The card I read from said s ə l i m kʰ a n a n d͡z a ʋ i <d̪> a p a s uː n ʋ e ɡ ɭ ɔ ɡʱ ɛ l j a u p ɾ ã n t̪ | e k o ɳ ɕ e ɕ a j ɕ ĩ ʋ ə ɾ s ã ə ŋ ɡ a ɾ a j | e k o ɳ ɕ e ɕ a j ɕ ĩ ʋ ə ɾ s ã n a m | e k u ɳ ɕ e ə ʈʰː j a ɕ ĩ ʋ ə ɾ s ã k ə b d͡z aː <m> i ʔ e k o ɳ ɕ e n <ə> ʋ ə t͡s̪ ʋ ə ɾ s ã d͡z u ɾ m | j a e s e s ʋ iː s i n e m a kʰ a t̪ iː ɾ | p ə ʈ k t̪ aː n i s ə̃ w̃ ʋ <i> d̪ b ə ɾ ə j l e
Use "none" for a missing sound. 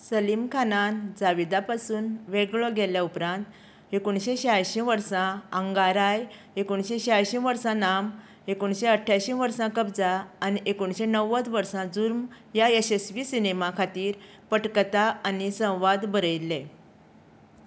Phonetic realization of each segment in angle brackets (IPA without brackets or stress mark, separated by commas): d̪, n, ə, a